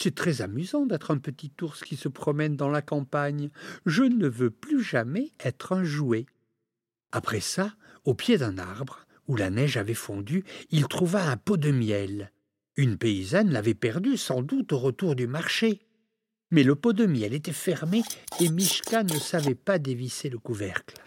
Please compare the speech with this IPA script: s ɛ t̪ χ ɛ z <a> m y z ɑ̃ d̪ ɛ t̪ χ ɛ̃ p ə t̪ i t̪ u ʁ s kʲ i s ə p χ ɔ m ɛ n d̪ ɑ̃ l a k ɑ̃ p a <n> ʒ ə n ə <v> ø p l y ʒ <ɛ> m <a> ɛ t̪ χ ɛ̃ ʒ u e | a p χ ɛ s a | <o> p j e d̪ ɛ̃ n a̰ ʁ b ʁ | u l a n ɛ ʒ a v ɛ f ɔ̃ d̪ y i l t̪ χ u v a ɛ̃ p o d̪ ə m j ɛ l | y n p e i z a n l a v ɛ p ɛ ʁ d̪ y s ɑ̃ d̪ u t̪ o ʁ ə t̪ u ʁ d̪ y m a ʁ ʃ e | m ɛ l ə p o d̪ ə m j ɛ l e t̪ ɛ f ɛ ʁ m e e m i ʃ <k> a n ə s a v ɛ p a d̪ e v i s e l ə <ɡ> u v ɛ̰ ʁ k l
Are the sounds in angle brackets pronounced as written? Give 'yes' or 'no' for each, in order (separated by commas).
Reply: yes, no, yes, no, no, yes, yes, no